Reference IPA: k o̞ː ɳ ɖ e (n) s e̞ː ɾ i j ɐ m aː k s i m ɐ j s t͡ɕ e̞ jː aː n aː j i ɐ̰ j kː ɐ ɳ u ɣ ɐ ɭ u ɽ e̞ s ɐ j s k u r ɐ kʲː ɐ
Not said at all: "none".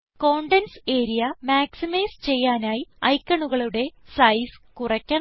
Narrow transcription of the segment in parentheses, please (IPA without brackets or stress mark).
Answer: n